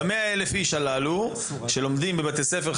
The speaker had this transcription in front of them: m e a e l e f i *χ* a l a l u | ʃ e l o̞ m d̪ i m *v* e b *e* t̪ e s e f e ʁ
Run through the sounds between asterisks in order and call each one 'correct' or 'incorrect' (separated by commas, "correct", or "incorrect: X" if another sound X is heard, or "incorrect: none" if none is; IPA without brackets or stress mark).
incorrect: ʃ, incorrect: b, incorrect: a